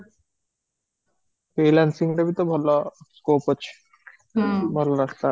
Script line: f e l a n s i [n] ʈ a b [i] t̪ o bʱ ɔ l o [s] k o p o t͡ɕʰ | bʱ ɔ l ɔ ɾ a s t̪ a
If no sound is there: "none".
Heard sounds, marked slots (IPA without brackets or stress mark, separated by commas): ŋ, i, s